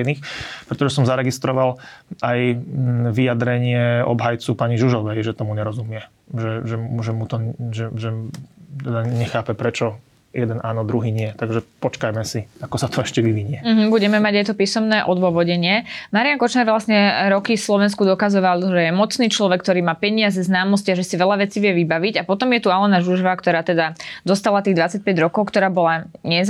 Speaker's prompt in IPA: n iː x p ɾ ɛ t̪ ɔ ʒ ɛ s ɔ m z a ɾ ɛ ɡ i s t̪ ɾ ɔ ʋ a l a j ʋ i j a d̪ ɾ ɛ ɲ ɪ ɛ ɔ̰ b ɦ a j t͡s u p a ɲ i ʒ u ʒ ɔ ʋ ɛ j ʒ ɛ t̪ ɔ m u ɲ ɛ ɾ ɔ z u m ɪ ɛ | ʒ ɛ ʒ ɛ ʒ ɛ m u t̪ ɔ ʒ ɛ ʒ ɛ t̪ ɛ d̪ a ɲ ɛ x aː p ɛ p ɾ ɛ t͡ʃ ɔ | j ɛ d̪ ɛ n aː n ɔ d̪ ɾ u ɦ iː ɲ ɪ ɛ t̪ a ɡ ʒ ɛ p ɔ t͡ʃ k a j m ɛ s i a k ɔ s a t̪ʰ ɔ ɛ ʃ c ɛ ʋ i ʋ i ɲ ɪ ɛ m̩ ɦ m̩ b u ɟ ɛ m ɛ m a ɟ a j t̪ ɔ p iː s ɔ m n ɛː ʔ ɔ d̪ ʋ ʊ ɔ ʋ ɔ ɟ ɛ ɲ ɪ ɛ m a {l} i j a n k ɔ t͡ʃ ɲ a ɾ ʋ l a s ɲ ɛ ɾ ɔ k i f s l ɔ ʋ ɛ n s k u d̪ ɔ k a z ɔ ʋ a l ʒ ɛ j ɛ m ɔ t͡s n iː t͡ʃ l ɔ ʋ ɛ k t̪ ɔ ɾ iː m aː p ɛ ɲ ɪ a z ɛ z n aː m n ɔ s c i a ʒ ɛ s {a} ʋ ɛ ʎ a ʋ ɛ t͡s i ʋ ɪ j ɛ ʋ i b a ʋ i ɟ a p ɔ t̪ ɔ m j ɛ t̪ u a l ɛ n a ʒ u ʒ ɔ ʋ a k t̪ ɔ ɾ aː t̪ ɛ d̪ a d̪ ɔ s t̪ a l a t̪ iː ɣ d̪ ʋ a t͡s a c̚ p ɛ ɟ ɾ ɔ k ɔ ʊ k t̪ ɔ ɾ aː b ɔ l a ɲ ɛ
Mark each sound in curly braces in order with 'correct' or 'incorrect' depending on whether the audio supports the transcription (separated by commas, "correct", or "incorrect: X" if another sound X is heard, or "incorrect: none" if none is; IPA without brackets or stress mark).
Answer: incorrect: ɾ, incorrect: i